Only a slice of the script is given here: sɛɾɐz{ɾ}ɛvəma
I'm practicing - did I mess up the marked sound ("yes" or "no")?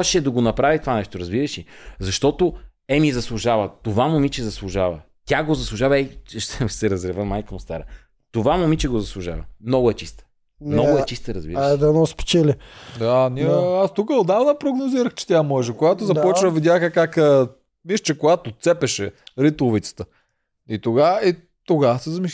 no